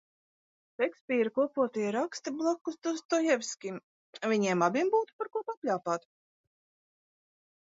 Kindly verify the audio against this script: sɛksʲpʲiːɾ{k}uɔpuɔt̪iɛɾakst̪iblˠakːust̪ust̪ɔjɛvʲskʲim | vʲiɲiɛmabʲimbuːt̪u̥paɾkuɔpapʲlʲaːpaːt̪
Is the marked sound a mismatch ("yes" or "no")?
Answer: no